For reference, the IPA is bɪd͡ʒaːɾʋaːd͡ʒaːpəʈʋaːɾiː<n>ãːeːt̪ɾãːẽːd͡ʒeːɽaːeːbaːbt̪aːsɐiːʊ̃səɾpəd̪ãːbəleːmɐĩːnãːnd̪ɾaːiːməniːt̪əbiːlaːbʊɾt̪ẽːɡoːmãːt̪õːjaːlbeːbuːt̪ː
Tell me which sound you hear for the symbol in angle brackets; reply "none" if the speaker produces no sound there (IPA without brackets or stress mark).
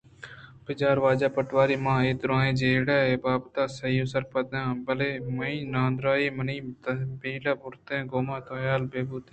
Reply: m